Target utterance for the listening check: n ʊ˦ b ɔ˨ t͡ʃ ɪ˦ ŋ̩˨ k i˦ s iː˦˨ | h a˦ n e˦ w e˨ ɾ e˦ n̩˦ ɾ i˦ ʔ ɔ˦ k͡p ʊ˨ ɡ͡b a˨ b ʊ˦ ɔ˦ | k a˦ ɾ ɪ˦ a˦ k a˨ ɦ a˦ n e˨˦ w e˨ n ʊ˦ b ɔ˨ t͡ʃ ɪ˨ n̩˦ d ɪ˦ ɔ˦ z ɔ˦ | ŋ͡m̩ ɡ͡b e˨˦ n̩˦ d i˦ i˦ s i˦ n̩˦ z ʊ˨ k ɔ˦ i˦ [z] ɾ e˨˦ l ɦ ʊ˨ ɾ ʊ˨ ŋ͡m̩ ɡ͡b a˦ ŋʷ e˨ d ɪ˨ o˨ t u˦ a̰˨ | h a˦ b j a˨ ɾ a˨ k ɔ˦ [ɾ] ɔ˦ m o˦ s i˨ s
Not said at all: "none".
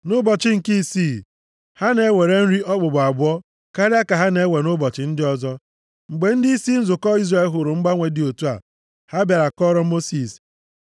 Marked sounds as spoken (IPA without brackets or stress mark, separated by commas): z, ɾ